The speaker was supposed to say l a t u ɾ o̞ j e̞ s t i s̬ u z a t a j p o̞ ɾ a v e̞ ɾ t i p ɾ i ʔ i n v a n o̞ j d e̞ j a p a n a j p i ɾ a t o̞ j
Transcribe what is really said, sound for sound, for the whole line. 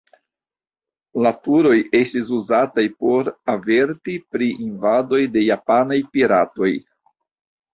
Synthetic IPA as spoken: l a t u ɾ o̞ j e̞ s t i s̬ u z a t a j p o̞ ɾ a v e̞ ɾ t i p ɾ i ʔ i n v a d o̞ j d e̞ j a p a n a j p i ɾ a t o̞ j